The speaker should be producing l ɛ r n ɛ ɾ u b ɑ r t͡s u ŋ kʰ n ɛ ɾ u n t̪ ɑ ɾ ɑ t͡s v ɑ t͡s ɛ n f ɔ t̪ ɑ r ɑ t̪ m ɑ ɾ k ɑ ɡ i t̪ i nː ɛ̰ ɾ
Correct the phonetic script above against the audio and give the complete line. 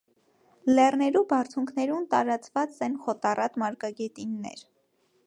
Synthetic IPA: l ɛ r n ɛ ɾ u b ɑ r t͡sʰ u ŋ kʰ n ɛ ɾ u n t̪ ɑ ɾ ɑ t͡s v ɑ t͡s ɛ n χ ɔ t̪ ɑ r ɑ t̪ m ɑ ɾ k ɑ ɡ ɛ t̪ i nː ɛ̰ ɾ